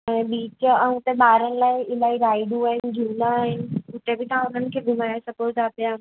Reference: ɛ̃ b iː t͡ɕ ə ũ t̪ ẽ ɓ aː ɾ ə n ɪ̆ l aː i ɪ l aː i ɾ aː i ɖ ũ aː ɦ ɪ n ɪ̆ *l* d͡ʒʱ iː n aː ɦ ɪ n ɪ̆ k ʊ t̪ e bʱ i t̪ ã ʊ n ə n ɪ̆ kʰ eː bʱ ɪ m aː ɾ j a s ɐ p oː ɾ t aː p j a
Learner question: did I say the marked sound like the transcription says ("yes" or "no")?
no